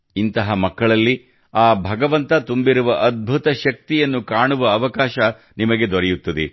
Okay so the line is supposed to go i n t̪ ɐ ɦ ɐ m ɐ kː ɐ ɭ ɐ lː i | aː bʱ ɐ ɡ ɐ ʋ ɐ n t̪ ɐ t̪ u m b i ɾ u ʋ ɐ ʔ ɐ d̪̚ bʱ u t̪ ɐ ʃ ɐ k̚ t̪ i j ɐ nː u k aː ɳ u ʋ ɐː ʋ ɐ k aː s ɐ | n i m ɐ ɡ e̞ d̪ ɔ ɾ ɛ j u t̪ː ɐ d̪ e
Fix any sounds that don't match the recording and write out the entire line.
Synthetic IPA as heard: i n t̪ ɐ ɦ ɐ m ɐ kː ɐ ɭ ɐ lː i | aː bʱ ɐ ɡ ɐ ʋ ɐ n t̪ ɐ t̪ u m b i ɾ u ʋ ɐ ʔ ɐ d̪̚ bʱ u t̪ ɐ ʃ ɐ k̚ t̪ i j ɐ nː u k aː ɳ u ʋ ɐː ʋ ɐ k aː ʃ ɐ | n i m ɐ ɡ e̞ d̪ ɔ ɾ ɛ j u t̪ː ɐ d̪ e